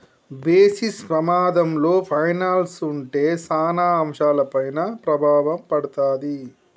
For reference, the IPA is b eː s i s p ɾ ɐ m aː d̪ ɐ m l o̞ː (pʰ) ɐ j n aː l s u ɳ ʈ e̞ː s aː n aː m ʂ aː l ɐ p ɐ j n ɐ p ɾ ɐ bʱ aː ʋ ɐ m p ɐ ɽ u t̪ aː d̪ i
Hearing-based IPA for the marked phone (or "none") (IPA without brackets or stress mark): pʰ